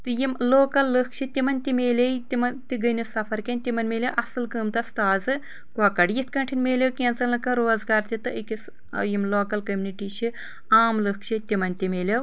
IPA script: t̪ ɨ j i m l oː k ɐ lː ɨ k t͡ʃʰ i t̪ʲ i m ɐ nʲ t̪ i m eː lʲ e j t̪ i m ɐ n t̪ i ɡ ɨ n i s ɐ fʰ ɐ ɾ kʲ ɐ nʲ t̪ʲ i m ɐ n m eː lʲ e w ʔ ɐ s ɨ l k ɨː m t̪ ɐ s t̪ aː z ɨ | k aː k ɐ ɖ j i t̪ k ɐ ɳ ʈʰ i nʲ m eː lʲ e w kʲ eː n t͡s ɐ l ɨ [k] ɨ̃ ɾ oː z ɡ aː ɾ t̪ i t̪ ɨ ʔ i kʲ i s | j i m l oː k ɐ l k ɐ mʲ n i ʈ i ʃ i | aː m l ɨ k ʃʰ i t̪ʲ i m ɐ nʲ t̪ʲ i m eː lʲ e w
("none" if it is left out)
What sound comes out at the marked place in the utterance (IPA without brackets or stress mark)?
k